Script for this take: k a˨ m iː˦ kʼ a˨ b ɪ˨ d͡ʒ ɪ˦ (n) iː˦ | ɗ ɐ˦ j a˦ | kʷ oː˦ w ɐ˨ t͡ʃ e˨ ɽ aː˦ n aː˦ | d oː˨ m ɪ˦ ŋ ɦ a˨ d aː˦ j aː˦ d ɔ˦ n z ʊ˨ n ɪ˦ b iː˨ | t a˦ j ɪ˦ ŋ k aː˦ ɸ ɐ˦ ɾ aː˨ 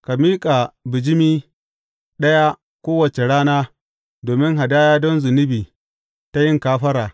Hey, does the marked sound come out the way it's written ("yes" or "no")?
no